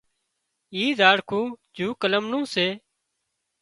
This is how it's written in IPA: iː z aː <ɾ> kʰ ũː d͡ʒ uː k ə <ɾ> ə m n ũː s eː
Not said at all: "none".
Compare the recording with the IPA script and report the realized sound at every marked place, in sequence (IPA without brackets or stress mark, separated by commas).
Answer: ɽ, l